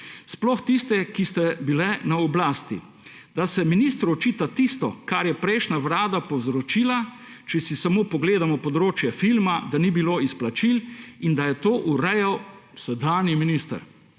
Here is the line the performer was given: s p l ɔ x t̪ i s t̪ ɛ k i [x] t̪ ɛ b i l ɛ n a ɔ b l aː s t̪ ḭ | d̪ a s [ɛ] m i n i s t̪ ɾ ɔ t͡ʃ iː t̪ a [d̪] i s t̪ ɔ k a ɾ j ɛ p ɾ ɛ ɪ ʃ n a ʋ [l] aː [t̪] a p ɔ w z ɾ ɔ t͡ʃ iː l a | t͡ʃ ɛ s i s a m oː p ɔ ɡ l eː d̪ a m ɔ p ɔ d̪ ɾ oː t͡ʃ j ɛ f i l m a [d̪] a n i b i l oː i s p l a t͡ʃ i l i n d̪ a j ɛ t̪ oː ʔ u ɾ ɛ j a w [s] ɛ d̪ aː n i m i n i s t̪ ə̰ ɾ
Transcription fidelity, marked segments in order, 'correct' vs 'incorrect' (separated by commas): incorrect, correct, incorrect, incorrect, incorrect, correct, correct